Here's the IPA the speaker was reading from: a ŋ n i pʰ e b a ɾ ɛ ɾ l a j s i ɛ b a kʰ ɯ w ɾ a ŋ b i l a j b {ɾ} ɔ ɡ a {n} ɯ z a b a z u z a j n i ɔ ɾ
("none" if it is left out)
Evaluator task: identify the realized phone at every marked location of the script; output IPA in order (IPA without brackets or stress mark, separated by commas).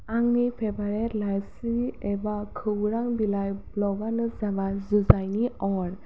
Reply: l, n